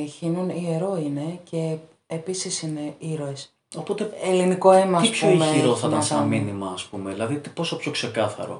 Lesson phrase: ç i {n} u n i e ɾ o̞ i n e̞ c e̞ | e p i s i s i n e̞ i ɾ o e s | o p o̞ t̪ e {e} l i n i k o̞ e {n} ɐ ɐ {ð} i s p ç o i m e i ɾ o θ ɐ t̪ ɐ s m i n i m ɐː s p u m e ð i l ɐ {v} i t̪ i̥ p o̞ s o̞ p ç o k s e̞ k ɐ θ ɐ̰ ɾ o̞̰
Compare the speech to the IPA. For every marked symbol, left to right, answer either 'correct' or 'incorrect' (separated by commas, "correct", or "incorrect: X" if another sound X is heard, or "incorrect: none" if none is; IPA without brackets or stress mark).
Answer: correct, correct, incorrect: m, incorrect: none, incorrect: ð